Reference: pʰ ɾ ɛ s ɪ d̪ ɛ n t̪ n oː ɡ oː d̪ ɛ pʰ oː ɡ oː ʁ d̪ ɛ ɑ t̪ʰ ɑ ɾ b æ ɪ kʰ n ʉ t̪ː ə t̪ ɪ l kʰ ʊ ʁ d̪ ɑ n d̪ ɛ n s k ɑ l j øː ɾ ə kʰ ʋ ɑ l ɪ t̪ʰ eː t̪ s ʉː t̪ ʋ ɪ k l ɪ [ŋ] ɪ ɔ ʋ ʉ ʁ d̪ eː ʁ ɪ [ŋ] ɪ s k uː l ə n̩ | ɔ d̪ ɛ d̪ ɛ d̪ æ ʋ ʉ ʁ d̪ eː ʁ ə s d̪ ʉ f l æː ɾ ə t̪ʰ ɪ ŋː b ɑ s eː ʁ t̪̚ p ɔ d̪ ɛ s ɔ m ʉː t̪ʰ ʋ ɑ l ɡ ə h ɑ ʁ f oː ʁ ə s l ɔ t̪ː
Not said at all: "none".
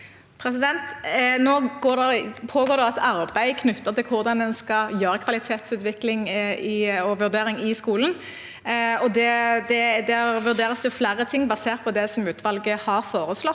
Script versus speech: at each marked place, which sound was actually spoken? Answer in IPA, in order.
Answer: ŋ, ŋ

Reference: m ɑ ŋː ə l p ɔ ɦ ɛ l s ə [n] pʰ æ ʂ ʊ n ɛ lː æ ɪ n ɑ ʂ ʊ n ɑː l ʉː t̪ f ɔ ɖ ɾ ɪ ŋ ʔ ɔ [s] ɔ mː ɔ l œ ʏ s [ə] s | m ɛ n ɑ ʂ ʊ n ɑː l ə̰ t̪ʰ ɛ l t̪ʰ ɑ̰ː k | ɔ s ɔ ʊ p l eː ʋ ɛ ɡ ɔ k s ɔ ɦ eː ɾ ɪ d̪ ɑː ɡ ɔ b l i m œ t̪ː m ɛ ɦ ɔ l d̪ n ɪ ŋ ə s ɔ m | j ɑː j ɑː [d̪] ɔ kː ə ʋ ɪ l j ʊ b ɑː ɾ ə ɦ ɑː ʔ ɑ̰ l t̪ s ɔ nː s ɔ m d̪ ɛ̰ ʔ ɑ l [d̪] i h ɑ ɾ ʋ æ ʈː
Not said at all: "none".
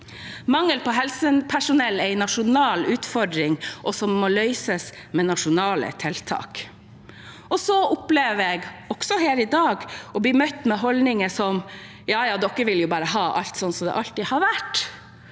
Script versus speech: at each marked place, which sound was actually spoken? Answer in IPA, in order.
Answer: n, s, ə, d̪, t̪

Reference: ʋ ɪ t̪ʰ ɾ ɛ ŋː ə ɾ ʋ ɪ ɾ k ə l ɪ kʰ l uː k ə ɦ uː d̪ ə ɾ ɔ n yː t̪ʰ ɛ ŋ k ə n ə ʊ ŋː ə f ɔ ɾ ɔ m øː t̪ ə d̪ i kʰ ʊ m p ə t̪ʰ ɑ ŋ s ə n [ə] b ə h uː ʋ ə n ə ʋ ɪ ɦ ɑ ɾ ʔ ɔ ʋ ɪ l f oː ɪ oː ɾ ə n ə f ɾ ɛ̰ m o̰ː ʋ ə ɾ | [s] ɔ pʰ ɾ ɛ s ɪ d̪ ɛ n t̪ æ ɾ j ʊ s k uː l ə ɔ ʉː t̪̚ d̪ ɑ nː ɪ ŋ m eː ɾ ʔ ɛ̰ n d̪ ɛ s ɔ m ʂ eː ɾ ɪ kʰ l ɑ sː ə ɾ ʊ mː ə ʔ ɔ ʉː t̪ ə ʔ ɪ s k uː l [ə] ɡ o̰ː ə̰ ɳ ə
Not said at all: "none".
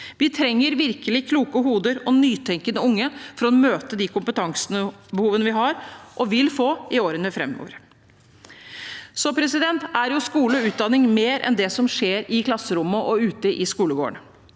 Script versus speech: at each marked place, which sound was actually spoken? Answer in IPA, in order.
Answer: ə, s, ə

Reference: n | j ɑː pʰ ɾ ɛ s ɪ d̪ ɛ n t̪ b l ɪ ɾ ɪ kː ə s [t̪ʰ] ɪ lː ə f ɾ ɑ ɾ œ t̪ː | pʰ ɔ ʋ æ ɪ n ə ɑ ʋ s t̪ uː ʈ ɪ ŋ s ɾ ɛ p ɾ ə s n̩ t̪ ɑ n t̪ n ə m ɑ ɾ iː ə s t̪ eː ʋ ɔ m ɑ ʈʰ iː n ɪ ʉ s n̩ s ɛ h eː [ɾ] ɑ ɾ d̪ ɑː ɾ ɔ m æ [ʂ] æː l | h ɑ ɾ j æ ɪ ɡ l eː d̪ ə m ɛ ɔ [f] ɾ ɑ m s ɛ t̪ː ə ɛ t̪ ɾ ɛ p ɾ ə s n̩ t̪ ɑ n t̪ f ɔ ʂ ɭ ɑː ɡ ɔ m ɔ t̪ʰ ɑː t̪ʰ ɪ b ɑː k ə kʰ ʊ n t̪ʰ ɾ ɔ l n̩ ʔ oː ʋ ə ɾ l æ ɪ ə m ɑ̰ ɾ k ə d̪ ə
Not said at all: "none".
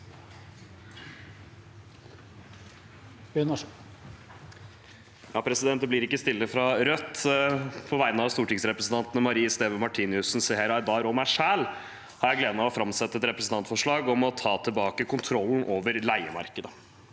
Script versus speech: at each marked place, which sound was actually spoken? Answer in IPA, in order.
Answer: t̪, ɾ, ʂ, f

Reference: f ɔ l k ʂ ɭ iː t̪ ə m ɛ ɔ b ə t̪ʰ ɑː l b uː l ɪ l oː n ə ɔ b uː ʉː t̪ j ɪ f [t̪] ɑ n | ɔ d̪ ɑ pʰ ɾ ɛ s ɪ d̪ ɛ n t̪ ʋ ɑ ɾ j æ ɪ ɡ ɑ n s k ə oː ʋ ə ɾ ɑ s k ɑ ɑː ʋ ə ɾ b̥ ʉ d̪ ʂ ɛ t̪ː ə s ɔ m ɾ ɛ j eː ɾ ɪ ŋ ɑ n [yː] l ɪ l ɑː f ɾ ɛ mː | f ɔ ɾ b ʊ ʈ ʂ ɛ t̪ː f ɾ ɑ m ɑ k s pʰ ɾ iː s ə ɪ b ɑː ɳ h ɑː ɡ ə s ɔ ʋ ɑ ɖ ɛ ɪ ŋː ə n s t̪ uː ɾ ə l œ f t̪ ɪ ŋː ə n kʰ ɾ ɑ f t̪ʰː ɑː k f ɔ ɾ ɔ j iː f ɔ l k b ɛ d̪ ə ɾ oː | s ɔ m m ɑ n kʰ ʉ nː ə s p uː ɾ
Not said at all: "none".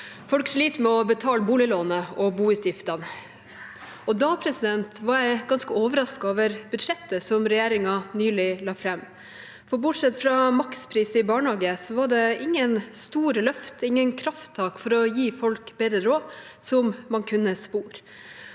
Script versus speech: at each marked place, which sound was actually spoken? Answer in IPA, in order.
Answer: t̪, yː

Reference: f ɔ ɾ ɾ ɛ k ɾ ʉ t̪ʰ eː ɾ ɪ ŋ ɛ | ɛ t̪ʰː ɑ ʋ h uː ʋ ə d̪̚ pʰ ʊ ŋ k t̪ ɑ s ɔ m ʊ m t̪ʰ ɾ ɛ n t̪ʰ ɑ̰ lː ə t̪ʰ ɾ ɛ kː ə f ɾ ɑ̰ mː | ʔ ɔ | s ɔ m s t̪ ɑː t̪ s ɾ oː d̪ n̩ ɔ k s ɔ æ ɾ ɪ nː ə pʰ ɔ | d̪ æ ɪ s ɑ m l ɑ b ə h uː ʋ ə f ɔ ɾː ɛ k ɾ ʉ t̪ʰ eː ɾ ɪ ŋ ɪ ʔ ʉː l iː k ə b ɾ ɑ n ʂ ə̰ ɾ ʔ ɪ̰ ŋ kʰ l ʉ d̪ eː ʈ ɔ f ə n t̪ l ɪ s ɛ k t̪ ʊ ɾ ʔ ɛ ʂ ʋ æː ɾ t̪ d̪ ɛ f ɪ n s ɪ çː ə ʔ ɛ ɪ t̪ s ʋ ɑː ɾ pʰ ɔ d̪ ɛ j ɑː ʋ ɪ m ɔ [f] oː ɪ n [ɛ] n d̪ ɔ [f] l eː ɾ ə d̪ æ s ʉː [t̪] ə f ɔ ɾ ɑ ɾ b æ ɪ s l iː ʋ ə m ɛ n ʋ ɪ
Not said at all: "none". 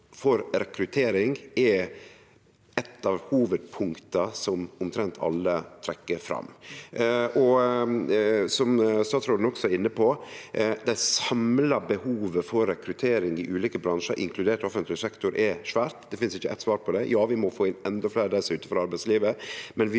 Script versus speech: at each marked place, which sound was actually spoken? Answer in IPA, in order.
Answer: f, ɛ, f, t̪

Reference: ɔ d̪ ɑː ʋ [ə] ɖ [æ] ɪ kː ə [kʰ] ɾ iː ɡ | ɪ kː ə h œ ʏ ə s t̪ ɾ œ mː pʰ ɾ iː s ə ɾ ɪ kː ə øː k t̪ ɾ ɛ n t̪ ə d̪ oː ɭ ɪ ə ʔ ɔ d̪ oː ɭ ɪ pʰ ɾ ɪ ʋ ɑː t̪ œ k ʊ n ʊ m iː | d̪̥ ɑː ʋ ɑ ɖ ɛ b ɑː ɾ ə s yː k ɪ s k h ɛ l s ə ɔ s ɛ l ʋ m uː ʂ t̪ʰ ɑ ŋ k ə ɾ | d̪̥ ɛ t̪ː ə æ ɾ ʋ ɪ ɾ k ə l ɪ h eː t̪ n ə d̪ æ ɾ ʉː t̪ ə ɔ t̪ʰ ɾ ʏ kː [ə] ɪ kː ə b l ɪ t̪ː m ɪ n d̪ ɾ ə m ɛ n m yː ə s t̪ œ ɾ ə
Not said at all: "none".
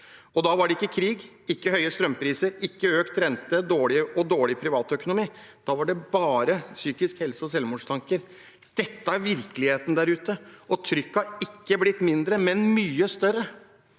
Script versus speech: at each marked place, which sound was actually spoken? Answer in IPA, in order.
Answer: ɑ, ɛ, kʰ, ɑ

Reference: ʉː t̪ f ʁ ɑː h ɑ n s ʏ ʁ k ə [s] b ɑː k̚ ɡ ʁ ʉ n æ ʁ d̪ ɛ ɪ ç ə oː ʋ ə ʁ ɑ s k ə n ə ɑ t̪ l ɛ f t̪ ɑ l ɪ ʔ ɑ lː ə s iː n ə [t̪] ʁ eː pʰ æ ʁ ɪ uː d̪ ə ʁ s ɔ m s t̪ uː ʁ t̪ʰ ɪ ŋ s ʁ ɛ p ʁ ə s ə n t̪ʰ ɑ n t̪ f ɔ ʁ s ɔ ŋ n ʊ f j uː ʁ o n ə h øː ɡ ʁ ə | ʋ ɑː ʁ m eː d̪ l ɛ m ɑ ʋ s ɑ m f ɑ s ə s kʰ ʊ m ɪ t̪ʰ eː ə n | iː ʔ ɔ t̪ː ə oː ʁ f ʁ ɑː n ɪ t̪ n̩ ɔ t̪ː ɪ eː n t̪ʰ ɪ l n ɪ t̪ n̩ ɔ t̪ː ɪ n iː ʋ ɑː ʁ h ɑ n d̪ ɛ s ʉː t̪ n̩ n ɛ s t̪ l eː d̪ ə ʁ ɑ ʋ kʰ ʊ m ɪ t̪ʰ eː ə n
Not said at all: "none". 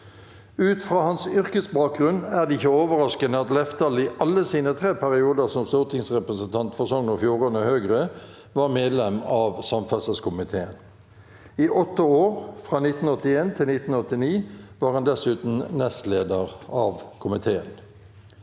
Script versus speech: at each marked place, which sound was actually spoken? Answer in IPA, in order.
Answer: s, t̪ʰ

